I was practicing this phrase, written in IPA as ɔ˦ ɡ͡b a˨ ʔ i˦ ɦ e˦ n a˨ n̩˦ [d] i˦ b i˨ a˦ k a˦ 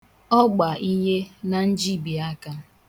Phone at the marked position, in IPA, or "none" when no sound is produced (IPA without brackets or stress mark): d͡ʒ